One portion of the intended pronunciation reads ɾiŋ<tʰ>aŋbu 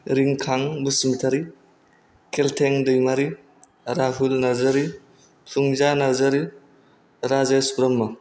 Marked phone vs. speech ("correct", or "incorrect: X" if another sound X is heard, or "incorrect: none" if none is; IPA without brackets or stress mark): incorrect: kʰ